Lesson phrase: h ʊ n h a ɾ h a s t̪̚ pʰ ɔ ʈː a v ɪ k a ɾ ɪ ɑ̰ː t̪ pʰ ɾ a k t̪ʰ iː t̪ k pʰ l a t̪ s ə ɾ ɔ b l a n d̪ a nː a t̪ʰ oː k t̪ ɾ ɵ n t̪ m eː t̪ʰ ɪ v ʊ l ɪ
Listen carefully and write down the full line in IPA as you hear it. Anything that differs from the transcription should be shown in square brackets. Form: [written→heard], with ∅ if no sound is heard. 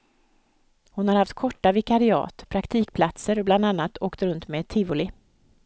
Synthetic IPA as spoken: h ʊ n h a ɾ h a [s→f] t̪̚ [pʰ→kʰ] ɔ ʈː a v ɪ k a ɾ ɪ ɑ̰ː t̪ pʰ ɾ a k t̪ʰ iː [t̪→∅] k pʰ l a t̪ s ə ɾ ɔ b l a n d̪ a nː a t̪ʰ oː k t̪ ɾ ɵ n t̪ m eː t̪ʰ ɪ v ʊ l ɪ